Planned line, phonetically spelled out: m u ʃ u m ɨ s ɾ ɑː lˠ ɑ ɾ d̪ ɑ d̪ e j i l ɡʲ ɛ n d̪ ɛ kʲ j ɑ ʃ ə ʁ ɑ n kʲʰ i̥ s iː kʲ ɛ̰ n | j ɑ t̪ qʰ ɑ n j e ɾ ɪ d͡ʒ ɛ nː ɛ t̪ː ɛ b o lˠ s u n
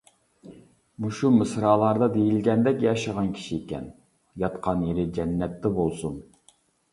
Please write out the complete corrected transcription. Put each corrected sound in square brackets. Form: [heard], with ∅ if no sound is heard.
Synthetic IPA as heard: m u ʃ u m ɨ s ɾ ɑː lˠ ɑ ɾ d̪ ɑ d̪ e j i l ɡʲ ɛ n d̪ ɛ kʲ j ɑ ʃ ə ʁ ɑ n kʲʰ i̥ [ʃ] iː kʲ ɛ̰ n | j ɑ t̪ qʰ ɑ n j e ɾ ɪ d͡ʒ ɛ nː ɛ t̪ː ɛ b o lˠ s u n